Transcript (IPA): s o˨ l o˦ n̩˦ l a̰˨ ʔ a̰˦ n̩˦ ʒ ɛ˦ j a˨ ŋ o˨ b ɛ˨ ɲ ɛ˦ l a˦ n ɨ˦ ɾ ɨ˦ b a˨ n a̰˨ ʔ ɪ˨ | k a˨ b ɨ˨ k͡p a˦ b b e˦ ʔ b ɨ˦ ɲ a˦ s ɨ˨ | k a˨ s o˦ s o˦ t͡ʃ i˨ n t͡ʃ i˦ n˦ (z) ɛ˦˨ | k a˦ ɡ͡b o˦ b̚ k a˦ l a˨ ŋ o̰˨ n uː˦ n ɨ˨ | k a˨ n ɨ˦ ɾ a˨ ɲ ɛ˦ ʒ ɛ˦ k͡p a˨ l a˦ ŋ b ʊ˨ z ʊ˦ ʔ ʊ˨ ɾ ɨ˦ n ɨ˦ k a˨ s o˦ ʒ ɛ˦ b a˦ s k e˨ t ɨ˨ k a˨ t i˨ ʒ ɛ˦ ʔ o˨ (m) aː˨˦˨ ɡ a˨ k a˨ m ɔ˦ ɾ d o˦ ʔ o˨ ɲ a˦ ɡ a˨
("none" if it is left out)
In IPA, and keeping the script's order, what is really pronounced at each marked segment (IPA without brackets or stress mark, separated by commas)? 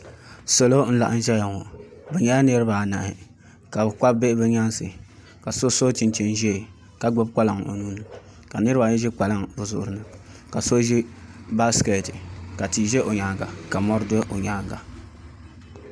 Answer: ʒ, ɲ